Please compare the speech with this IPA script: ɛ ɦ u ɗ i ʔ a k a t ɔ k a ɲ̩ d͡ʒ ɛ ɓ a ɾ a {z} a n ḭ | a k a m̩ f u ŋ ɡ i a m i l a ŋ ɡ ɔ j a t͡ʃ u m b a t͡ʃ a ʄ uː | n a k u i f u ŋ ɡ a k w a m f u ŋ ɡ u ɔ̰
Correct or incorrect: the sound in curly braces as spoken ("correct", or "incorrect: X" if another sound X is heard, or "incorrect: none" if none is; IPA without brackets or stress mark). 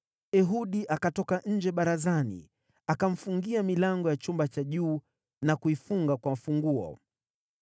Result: correct